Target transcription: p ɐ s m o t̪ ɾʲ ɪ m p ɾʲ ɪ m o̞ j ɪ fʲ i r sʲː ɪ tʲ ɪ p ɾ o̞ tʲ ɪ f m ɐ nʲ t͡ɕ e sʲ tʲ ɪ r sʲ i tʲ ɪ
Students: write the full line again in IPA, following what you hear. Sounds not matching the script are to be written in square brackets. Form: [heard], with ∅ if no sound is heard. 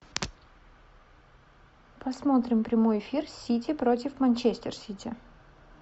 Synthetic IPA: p ɐ s m o t̪ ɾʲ ɪ m p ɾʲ ɪ m o̞ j ɪ fʲ i r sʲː [i] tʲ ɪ p ɾ o̞ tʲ ɪ f m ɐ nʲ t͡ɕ e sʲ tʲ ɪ r sʲ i tʲ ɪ